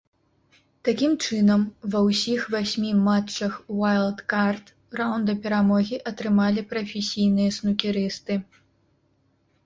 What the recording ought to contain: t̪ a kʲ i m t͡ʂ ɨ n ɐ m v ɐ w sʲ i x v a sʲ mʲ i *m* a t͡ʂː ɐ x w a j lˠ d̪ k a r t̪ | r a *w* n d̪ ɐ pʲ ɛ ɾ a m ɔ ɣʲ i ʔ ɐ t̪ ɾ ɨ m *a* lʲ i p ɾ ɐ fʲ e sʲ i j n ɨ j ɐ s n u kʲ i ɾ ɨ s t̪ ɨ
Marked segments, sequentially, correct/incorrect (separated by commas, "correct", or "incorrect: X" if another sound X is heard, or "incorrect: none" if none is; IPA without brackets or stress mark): correct, correct, correct